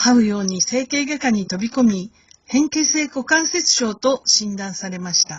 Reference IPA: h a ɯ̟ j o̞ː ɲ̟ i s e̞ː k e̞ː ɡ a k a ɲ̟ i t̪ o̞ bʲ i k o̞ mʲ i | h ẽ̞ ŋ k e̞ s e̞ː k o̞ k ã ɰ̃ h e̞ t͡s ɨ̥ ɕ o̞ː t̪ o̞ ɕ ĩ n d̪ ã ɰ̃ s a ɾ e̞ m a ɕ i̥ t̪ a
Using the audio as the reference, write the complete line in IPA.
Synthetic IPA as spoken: h a ɯ̟ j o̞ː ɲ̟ i s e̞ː k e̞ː ɡ a k a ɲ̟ i t̪ o̞ bʲ i k o̞ mʲ i | h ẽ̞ ŋ k e̞ s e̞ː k o̞ k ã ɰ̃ s e̞ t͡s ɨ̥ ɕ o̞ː t̪ o̞ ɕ ĩ n d̪ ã ɰ̃ s a ɾ e̞ m a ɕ i̥ t̪ a